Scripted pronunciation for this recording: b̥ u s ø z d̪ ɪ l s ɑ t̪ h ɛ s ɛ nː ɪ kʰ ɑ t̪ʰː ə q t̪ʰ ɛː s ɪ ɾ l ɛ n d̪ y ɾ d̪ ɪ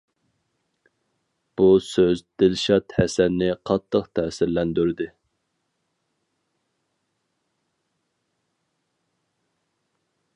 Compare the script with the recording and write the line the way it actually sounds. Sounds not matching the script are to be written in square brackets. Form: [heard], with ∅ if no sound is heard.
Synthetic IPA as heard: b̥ u s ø z d̪ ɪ l [ʃ] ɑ t̪ h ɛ s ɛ nː ɪ [qʰ] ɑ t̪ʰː ə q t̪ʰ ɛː s ɪ ɾ l ɛ n d̪ y ɾ d̪ ɪ